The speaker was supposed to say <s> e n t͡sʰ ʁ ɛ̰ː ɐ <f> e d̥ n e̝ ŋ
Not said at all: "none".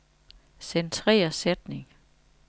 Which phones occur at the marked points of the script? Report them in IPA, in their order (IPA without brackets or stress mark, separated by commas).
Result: s, s